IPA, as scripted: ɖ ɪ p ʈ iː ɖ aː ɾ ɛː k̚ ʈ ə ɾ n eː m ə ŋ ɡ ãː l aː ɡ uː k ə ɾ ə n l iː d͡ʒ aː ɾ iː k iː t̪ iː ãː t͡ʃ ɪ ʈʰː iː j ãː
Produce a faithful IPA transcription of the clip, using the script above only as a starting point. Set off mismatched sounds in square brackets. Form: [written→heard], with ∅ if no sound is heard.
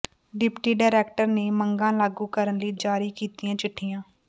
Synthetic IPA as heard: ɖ ɪ p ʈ iː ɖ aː ɾ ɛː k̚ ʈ ə ɾ n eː m ə ŋ ɡ ãː l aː ɡ uː k ə ɾ ə n l iː d͡ʒ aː ɾ iː k iː t̪ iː ãː t͡ʃ ɪ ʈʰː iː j ãː